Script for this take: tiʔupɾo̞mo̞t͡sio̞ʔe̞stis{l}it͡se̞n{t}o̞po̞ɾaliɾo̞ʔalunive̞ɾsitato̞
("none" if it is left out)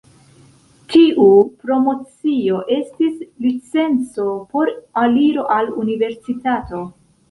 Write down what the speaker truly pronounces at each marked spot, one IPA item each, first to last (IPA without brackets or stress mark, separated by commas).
l, t͡s